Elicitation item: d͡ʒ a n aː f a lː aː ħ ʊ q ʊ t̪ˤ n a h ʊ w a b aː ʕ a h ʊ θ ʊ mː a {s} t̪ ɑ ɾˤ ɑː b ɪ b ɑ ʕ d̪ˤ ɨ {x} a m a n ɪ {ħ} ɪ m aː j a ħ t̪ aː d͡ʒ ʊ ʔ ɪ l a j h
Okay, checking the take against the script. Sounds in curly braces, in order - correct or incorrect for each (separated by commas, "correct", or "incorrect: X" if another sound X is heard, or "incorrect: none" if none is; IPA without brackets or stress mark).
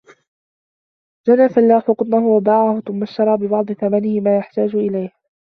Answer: incorrect: ʃ, incorrect: θ, incorrect: h